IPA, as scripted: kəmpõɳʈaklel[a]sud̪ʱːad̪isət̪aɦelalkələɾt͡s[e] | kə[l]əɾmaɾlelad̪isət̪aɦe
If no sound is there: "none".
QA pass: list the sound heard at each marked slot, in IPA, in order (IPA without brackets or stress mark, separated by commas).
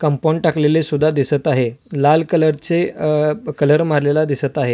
e, e, l